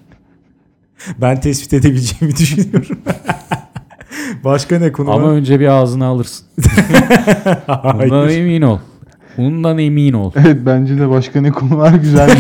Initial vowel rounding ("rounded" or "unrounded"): unrounded